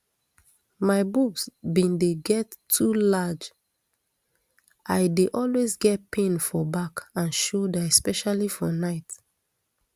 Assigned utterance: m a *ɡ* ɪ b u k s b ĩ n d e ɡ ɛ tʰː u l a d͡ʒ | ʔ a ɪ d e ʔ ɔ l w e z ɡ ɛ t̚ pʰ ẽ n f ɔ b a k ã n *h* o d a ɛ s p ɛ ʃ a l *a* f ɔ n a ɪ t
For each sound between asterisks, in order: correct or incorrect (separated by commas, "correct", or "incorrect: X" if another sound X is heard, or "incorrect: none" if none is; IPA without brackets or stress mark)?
incorrect: none, incorrect: ʃ, incorrect: i